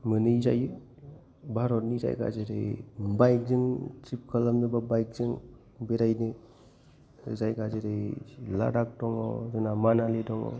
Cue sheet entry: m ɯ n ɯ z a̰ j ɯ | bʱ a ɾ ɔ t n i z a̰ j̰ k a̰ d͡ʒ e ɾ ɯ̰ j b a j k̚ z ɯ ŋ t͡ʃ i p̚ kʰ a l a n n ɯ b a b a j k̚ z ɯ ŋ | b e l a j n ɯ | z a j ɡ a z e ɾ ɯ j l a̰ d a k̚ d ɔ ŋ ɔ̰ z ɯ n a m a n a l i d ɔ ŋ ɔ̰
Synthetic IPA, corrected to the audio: m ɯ n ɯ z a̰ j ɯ | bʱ a ɾ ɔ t n i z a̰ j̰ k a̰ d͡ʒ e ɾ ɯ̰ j b a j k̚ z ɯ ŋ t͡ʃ i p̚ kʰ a l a m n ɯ b a b a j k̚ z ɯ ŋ | b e ɾ a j n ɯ | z a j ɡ a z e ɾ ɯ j l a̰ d a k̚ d ɔ ŋ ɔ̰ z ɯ n a m a n a l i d ɔ ŋ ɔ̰

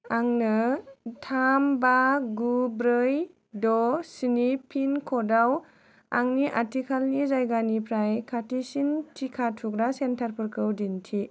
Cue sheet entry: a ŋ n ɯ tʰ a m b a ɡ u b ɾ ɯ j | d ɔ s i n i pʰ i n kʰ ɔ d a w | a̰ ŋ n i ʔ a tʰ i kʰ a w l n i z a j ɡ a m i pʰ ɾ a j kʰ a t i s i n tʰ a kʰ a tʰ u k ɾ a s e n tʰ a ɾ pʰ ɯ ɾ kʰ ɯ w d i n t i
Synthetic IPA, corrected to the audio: a ŋ n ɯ tʰ a m b a ɡ u b ɾ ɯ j | d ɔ s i n i pʰ i n kʰ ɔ d a w | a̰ ŋ n i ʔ a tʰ i kʰ a l n i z a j ɡ a n i pʰ ɾ a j kʰ a t i s i n tʰ i kʰ a tʰ u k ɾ a s e n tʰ a ɾ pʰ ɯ ɾ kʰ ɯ w d i n tʰ i

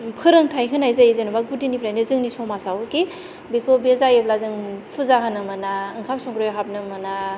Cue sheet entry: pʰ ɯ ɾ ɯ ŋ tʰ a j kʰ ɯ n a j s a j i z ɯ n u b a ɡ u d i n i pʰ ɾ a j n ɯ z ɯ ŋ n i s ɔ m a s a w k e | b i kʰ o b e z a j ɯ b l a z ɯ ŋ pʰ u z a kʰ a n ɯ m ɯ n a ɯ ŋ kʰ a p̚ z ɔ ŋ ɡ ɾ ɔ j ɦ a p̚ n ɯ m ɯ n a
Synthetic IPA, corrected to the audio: pʰ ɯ ɾ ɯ ŋ tʰ a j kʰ ɯ n a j z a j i z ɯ n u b a ɡ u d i n i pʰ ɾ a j n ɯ z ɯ ŋ n i s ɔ m a s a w k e | b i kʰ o b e z a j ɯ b l a z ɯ ŋ pʰ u z a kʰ a n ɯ m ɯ n a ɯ ŋ kʰ a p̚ s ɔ ŋ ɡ ɾ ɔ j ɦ a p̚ n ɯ m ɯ n a

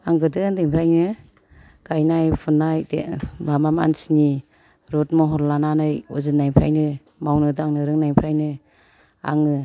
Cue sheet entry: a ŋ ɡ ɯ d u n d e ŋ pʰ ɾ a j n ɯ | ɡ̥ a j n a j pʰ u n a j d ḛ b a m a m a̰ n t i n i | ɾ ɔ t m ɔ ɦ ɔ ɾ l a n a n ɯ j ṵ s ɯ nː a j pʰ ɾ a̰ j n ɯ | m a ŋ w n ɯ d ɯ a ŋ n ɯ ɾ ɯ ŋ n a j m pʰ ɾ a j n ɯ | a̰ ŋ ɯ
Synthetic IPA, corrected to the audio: a ŋ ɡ ɯ d ɯ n d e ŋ pʰ ɾ a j n ɯ | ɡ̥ a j n a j pʰ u n a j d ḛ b a m a m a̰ n s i n i | ɾ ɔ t m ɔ ɦ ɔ ɾ l a n a n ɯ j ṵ z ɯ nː a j pʰ ɾ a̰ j n ɯ | m a w n ɯ d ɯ a ŋ n ɯ ɾ ɯ ŋ n a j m pʰ ɾ a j n ɯ | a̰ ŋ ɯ

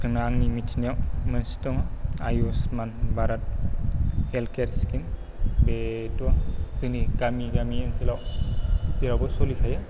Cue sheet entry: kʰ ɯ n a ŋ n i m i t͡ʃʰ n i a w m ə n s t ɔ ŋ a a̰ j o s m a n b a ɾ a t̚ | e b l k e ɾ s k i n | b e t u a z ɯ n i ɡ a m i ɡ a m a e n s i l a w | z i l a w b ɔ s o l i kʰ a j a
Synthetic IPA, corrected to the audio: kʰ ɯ n a ŋ n i m i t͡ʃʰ n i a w m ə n s t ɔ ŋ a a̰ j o s m a n b a ɾ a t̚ | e l k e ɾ s k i n | b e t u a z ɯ n i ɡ a m i ɡ a m i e n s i l a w | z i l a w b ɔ s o l i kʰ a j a

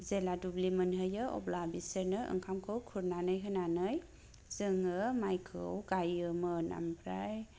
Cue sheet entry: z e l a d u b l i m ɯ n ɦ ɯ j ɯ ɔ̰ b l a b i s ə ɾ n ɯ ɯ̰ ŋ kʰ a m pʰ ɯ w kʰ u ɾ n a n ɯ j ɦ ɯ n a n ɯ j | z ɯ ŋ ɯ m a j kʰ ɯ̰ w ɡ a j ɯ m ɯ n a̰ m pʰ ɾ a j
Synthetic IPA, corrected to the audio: z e l a d u b l i m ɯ n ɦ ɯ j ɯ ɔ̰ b l a b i s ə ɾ n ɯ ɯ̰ ŋ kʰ a m kʰ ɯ w kʰ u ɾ n a n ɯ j ɦ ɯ n a n ɯ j | z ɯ ŋ ɯ m a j kʰ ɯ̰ w ɡ a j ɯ m ɯ n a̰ m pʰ ɾ a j

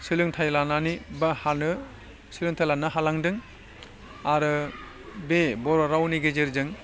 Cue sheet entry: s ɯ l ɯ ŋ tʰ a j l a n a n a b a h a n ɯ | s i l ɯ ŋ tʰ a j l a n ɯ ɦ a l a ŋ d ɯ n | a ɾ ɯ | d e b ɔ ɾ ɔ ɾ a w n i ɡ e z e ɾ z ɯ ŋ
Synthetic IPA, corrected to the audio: s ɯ l ɯ ŋ tʰ a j l a n a n i b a h a n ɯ | s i l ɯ ŋ tʰ a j l a n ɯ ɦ a l a ŋ d ɯ ŋ | a ɾ ɯ | b e b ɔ ɾ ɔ ɾ a w n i ɡ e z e ɾ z ɯ ŋ

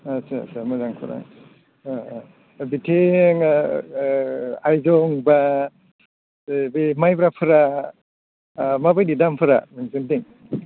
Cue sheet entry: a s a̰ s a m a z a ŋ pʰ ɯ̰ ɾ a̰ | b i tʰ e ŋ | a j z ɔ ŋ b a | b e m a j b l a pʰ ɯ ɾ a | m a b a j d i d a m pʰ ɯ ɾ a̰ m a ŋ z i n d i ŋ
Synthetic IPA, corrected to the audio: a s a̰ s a m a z a ŋ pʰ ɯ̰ ɾ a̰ | b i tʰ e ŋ | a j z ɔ ŋ b a | b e m a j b ɾ a pʰ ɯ ɾ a | m a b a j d i d a m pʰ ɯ ɾ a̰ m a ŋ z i n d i ŋ

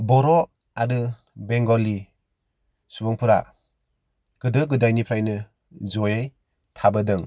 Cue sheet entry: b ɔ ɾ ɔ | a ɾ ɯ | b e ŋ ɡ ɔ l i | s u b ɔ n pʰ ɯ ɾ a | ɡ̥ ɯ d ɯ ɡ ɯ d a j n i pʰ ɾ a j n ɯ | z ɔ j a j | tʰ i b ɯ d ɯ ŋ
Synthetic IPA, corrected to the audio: b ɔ ɾ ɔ | a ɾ ɯ | b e ŋ ɡ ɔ l i | s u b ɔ ŋ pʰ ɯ ɾ a | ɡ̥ ɯ d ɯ ɡ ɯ d a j n i pʰ ɾ a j n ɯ | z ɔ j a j | tʰ a b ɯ d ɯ ŋ

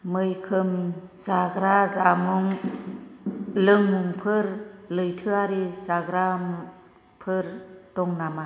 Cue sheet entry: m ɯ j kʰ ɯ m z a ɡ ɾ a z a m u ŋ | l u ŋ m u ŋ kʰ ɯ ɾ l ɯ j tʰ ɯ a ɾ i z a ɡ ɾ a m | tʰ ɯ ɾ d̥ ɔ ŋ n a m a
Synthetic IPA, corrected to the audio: m ɯ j kʰ ɯ m z a ɡ ɾ a z a m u ŋ | l ɯ ŋ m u ŋ pʰ ɯ ɾ l ɯ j tʰ ɯ a ɾ i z a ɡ ɾ a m | pʰ ɯ ɾ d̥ ɔ ŋ n a m a

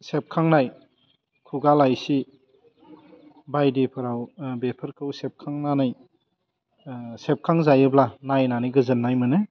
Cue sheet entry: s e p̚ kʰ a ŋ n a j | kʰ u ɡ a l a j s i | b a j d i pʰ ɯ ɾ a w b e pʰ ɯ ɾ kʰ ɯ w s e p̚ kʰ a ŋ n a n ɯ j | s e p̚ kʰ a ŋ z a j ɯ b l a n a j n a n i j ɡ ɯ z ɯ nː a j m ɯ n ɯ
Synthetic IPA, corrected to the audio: s e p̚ kʰ a ŋ n a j | kʰ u ɡ a l a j s i | b a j d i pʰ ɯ ɾ a w b e pʰ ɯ ɾ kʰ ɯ w s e p̚ kʰ a ŋ n a n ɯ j | s e p̚ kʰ a ŋ z a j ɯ b l a n a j n a n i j ɡ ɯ z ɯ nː a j m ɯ n ɯ

